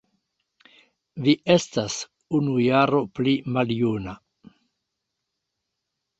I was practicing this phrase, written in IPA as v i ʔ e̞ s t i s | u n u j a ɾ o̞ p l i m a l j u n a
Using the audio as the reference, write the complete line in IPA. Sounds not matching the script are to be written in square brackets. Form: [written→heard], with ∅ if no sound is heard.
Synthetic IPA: v i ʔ e̞ s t [i→a] s | u n u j a ɾ o̞ p l i m a l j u n a